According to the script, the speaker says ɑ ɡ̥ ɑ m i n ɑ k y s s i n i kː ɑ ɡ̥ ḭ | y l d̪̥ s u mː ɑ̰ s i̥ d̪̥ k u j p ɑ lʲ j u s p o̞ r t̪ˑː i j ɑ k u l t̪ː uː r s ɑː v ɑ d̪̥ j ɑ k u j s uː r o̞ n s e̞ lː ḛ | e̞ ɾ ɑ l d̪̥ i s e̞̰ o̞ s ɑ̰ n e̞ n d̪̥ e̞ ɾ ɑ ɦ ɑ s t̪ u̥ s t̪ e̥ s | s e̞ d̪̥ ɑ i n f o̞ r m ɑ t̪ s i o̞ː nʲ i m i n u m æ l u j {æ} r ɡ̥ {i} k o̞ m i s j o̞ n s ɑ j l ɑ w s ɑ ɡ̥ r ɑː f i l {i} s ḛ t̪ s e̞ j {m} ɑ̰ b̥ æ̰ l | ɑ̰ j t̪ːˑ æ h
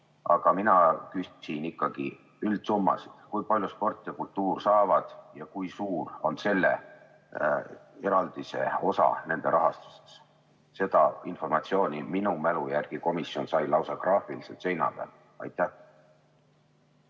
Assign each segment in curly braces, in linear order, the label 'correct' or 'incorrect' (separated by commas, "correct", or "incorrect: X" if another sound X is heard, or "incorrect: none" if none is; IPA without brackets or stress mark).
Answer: correct, correct, correct, incorrect: n